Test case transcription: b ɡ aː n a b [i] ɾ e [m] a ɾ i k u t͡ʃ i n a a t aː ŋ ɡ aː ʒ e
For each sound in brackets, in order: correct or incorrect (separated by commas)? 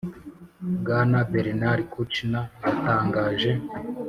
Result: incorrect, incorrect